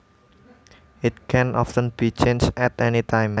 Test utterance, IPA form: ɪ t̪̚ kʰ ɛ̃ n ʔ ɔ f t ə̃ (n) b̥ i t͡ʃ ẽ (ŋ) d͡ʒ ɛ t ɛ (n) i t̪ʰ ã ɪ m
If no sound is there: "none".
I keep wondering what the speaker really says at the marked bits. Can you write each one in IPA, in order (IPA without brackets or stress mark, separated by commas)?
n, n, n